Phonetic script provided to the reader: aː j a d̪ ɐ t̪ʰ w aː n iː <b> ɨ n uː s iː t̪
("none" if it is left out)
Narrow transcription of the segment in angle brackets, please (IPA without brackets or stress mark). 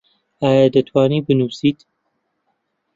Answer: b